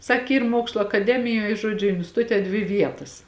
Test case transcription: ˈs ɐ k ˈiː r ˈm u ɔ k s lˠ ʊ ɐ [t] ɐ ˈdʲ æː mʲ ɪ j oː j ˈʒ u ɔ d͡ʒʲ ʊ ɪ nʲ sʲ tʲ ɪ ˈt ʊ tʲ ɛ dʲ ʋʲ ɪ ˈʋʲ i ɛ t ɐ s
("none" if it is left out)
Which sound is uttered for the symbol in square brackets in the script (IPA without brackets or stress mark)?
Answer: k